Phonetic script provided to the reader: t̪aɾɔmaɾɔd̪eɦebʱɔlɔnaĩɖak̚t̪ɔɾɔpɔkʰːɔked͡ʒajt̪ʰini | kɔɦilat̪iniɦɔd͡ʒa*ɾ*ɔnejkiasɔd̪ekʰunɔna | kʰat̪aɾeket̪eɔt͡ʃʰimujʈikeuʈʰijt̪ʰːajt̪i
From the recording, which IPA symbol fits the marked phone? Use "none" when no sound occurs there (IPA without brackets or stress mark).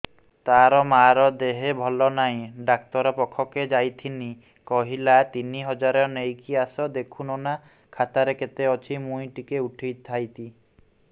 ɾ